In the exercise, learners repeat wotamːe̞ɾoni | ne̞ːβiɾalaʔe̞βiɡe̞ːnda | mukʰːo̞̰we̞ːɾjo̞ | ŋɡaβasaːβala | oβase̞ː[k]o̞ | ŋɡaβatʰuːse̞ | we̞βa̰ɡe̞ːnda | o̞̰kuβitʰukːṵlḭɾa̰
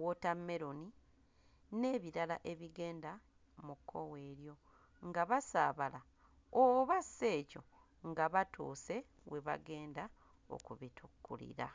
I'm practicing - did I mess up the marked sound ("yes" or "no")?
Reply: yes